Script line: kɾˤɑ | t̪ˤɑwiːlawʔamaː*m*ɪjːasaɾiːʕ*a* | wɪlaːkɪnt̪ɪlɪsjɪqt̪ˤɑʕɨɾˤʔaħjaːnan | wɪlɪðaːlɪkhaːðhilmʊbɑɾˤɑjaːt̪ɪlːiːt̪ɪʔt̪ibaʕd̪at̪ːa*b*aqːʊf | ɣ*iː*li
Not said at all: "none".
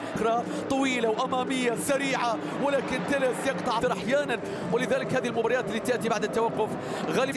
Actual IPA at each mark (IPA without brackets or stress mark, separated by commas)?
m, a, w, aː